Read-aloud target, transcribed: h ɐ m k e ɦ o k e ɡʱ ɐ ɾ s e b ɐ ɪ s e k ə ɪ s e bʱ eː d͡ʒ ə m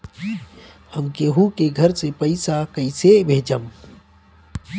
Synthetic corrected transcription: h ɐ m k e ɦ u k e ɡʱ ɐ ɾ s e p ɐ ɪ s a k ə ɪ s e bʱ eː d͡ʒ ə m